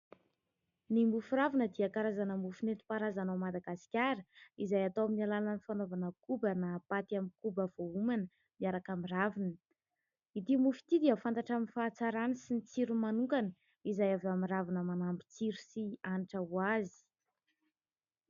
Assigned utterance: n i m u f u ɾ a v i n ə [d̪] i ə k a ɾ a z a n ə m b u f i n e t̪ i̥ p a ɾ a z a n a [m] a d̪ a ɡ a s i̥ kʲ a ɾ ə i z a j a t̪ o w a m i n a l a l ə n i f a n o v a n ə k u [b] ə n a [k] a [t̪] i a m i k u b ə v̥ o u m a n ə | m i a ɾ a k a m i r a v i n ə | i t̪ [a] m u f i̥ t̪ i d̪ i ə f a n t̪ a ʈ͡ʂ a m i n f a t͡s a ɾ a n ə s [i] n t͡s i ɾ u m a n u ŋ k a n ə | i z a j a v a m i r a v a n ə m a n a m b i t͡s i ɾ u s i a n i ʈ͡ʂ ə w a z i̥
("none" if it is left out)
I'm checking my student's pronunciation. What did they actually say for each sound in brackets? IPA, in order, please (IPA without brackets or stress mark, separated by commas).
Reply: d̪, m, b, p, t̪, i, i